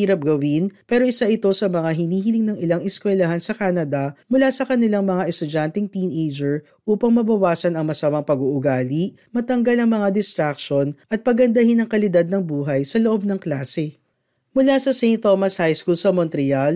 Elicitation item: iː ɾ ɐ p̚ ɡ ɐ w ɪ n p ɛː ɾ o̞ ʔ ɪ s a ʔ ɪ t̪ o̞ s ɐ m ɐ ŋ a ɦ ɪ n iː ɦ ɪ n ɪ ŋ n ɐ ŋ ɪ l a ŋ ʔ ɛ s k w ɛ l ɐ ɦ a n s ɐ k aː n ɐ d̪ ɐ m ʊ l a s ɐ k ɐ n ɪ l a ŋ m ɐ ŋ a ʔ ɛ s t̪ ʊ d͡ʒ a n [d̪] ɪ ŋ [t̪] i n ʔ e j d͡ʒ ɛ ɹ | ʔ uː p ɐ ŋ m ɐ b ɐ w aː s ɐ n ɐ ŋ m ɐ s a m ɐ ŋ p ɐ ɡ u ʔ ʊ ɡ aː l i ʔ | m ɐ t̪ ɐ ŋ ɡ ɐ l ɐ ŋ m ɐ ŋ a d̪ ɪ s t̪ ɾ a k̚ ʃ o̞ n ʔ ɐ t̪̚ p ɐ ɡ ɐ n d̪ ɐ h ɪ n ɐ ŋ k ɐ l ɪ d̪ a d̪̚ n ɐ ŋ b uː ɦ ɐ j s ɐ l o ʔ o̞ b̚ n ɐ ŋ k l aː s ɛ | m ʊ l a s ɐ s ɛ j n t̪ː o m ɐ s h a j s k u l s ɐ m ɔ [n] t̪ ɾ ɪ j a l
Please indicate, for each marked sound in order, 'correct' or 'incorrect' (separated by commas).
incorrect, correct, correct